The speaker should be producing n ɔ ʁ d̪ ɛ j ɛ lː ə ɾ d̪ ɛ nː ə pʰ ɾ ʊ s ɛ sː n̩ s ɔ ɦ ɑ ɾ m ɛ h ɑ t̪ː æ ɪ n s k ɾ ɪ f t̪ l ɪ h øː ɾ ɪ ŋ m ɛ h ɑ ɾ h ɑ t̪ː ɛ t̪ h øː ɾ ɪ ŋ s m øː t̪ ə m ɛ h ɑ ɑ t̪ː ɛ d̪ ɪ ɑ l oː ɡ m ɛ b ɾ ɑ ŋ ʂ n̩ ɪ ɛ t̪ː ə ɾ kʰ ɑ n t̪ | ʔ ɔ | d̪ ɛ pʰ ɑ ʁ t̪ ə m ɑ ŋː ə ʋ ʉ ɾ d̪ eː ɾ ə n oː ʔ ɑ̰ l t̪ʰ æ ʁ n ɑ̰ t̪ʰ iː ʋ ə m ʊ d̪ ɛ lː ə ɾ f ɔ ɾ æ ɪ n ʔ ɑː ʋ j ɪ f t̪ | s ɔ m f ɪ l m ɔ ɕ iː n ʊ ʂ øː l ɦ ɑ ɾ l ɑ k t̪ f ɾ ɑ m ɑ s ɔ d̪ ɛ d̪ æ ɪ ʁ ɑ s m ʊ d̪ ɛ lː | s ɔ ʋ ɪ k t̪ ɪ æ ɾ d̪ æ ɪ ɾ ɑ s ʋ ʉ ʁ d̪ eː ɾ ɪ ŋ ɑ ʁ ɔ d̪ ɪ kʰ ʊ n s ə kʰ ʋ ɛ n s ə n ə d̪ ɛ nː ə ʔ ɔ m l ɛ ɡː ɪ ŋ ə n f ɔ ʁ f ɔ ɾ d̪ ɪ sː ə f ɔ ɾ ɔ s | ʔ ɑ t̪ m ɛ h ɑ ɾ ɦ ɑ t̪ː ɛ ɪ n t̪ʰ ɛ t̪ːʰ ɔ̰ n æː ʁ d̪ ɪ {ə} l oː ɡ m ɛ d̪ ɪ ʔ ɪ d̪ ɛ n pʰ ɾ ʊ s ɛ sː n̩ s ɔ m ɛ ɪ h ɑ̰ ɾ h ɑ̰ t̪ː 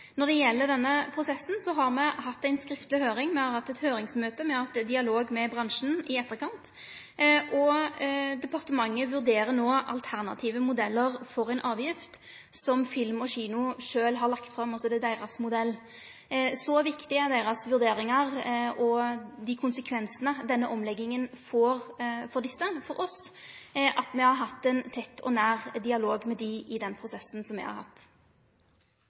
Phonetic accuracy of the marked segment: incorrect: ɑ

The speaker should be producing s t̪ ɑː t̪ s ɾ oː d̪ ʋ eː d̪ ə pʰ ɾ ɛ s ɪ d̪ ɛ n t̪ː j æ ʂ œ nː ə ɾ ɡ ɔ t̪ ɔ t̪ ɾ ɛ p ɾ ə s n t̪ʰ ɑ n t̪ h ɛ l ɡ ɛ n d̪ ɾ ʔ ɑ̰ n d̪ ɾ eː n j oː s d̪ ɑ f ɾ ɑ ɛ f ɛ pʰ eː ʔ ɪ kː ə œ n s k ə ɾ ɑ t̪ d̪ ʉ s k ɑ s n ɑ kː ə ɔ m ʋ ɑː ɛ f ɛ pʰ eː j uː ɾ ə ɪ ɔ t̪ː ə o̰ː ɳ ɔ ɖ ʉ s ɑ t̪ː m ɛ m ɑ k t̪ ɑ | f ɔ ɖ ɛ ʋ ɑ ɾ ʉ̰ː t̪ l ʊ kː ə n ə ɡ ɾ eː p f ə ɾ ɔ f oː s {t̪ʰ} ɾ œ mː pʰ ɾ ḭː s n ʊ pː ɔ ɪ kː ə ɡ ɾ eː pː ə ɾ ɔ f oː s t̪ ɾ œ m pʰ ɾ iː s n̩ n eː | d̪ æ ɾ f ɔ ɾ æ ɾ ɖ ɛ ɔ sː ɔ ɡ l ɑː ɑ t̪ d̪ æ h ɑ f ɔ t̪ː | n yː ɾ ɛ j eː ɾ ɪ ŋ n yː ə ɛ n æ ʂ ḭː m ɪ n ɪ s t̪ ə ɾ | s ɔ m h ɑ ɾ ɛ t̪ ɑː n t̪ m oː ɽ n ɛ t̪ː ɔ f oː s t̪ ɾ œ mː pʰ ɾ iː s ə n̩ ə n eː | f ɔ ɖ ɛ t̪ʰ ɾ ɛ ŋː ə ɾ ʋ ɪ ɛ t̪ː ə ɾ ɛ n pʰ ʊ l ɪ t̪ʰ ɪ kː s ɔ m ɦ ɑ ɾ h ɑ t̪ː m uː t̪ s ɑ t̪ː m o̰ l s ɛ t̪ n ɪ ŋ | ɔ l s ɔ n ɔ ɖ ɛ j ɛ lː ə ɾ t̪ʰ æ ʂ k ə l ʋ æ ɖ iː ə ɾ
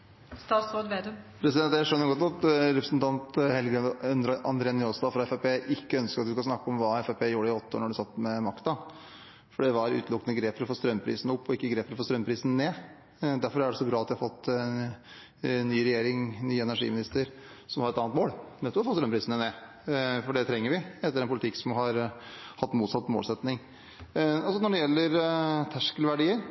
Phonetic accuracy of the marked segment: incorrect: t̪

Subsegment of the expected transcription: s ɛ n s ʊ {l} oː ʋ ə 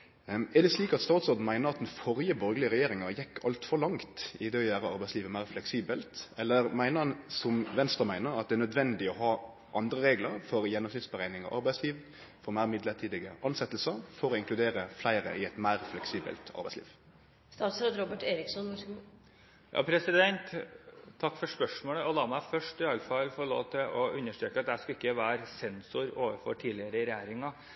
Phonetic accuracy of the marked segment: incorrect: ɾ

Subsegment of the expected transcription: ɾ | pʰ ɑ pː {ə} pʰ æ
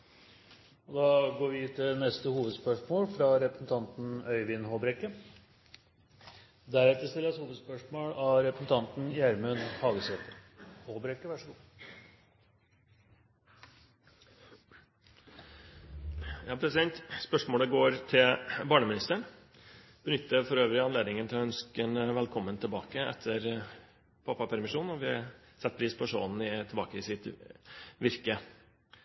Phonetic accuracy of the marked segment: incorrect: ɑ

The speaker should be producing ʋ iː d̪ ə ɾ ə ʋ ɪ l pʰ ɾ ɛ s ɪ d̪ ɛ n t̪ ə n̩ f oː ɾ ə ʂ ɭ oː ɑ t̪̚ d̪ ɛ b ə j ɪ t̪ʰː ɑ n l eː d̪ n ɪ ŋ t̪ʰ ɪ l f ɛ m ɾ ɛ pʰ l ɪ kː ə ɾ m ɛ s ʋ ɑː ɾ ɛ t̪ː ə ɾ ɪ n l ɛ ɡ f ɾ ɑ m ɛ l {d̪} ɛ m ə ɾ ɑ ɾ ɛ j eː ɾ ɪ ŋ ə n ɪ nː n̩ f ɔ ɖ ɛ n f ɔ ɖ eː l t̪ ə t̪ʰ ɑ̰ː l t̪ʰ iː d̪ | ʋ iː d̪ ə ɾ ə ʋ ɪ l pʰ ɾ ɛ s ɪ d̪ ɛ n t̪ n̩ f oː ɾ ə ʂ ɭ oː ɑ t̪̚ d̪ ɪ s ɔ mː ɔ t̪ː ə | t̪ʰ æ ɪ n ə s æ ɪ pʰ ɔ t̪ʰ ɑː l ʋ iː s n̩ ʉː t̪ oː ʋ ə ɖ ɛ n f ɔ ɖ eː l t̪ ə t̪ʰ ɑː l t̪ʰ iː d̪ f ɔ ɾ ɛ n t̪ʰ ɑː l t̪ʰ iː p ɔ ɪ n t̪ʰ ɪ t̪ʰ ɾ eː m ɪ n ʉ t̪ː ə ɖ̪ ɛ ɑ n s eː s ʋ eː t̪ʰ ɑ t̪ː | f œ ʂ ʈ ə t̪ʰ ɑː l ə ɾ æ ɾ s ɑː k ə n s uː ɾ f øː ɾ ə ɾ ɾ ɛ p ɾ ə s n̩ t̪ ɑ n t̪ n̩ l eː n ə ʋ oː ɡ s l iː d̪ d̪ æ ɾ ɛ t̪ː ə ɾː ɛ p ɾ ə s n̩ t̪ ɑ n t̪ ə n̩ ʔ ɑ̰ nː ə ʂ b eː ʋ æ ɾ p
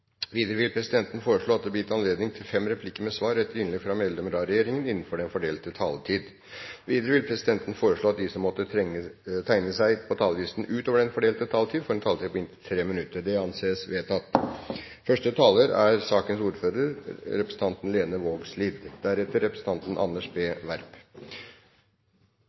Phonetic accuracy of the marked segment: correct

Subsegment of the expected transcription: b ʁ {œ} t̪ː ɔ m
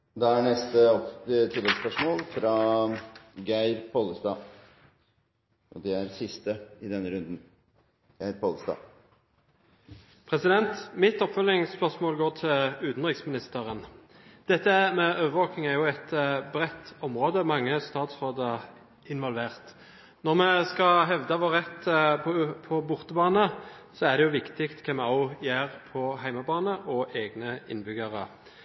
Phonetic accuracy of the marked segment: incorrect: ɛ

